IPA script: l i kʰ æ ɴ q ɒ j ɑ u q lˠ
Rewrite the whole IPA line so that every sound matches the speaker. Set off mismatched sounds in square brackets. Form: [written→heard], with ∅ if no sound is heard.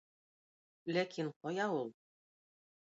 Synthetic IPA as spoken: l [i→æ] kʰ [æ→i] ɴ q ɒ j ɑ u [q→∅] lˠ